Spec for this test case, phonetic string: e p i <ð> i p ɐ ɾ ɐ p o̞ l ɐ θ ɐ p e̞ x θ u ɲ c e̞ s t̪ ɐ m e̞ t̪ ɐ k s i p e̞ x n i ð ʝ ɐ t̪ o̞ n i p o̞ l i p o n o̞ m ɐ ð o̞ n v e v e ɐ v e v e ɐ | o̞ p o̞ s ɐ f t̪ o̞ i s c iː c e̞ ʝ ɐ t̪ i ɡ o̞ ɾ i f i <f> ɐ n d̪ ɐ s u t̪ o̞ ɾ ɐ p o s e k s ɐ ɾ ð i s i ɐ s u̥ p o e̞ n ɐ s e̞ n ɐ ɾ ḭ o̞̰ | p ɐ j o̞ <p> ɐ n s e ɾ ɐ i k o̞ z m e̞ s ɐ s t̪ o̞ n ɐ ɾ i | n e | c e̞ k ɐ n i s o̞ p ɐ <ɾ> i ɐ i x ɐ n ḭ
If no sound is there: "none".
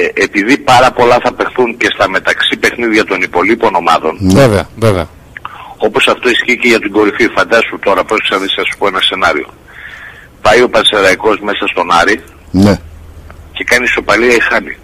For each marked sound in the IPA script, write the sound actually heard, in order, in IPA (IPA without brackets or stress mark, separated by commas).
ð, f, p, l